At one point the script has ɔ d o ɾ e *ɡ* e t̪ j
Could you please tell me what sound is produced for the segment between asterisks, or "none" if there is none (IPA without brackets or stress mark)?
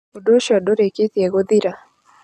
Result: k